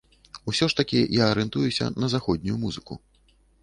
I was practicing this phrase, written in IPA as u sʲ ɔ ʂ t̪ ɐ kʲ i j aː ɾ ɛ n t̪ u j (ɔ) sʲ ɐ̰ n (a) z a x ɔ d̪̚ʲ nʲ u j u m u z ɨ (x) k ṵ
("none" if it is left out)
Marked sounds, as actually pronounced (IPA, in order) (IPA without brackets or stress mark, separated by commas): u, ɐ, none